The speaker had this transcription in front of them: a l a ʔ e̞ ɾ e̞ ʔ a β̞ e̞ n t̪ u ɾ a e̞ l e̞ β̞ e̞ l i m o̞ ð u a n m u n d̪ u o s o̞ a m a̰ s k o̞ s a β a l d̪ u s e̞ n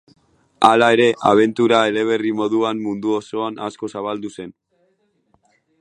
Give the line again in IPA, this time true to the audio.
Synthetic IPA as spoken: a l a e̞ ɾ e̞ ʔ a β̞ e̞ n t̪ u ɾ a e̞ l e̞ β̞ e̞ r i m o̞ ð u a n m u n d̪ u o s o̞ a n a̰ s k o̞ s a β a l d̪ u s e̞ n